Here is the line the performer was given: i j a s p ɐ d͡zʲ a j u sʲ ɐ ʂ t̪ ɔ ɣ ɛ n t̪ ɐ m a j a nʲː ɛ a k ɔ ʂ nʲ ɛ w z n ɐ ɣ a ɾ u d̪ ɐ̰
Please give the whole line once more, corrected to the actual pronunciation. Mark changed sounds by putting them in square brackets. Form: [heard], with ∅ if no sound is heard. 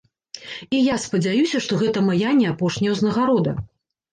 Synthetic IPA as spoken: i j a s p ɐ d͡zʲ a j u sʲ ɐ ʂ t̪ ɔ ɣ ɛ [∅] t̪ ɐ m a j a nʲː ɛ a [p] ɔ ʂ nʲ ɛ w z n ɐ ɣ a ɾ [ɔ] d̪ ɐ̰